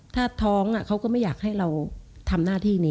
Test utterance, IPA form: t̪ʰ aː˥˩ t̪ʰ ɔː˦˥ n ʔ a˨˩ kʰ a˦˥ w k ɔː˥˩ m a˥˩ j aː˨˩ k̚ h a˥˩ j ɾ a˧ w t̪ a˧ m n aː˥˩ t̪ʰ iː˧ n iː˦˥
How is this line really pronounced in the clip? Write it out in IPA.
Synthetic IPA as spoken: t̪ʰ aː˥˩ t̪ʰ ɔː˦˥ ŋ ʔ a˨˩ kʰ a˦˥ w k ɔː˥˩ m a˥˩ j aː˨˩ k̚ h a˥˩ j ɾ a˧ w t̪ʰ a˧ m n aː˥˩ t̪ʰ iː˥˩ n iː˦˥